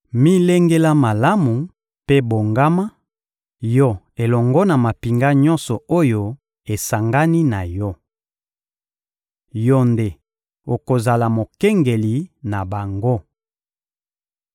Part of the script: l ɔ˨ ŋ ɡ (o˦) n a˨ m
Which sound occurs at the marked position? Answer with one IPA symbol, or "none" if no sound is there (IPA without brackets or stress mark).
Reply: ɔ˦